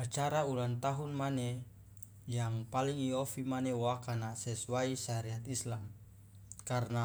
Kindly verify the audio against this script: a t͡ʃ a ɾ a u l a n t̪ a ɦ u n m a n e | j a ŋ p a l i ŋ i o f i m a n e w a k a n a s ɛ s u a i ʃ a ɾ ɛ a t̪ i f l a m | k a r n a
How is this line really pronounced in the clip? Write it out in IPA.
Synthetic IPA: a t͡ʃ a ɾ a u l a n t̪ a ɦ u n m a n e | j a ŋ p a l i ŋ i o f i m a n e w a k a n a s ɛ s u a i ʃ a ɾ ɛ a t̪ i s l a m | k a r n a